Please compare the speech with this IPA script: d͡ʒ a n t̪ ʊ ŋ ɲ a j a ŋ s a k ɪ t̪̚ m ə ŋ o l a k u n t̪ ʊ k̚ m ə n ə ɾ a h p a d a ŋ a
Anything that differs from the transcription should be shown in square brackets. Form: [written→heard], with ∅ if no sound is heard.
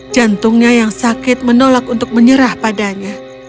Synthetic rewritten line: d͡ʒ a n t̪ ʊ ŋ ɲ a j a ŋ s a k ɪ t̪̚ m ə [ŋ→n] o l a k u n t̪ ʊ k̚ m ə [n→ɲ] ə ɾ a h p a d a [ŋ→ɲ] a